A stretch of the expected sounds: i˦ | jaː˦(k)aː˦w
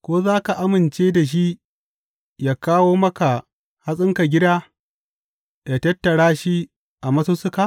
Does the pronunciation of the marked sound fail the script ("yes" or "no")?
no